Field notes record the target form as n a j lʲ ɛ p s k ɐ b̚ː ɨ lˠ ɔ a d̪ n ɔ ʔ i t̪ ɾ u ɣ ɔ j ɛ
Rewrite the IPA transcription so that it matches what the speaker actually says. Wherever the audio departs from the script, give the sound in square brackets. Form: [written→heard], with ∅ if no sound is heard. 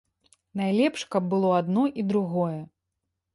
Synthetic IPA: n a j lʲ ɛ p [s→ʂ] k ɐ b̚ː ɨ lˠ ɔ a d̪ n ɔ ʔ i [t̪→d̪] ɾ u ɣ ɔ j ɛ